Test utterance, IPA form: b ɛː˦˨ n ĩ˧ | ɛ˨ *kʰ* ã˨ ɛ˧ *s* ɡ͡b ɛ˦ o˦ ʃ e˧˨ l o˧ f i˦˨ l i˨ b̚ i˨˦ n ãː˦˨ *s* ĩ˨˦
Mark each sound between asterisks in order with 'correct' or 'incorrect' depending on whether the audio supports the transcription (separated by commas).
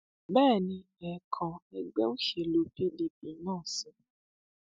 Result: correct, incorrect, correct